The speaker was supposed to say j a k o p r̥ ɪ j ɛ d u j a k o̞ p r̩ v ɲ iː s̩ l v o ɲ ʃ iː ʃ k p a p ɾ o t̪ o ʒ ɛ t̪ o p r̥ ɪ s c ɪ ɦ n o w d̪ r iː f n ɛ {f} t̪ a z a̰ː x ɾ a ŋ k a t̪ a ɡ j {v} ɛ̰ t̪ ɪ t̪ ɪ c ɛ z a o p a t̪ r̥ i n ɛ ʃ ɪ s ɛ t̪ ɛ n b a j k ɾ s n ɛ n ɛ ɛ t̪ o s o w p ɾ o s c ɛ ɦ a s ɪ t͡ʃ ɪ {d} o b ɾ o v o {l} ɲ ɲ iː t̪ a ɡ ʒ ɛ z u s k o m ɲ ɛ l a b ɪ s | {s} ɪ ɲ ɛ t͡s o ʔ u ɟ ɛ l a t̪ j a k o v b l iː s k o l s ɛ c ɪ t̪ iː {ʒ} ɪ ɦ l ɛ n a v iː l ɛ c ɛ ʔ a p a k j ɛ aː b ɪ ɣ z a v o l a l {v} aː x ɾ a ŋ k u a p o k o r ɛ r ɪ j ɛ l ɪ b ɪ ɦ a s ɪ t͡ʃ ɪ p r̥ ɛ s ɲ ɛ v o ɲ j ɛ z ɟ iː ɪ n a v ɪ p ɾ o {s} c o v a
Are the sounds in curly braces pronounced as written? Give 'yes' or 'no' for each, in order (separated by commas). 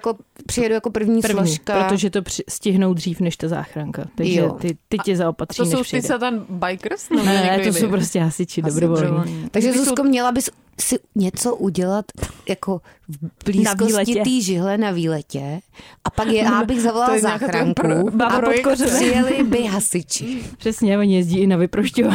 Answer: no, no, yes, yes, yes, yes, no, no